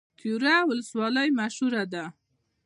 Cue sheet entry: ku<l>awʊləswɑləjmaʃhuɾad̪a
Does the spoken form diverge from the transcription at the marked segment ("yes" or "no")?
yes